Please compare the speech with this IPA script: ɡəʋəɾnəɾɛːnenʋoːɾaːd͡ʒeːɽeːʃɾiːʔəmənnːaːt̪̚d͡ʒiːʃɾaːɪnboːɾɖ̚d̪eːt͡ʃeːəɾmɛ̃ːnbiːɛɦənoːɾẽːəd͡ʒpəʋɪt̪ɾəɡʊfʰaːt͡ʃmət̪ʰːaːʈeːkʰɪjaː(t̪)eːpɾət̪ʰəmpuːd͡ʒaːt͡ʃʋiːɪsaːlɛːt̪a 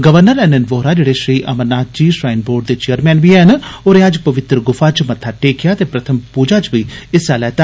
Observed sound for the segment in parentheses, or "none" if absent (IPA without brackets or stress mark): t̪